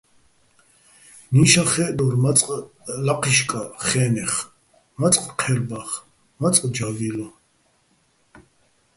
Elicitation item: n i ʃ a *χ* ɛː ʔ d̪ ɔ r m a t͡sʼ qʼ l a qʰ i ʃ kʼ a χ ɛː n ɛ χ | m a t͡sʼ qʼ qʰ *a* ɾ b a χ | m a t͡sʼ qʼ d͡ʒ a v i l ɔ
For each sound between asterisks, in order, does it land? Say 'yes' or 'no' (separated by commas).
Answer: yes, no